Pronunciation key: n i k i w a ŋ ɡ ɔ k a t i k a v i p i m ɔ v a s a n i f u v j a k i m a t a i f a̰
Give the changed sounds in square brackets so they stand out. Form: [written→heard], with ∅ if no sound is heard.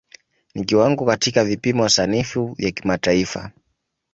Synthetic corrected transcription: n i k i w a ŋ ɡ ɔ k a t i k a v i p i m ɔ [v→w] a s a n i f u v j a k i m a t a i f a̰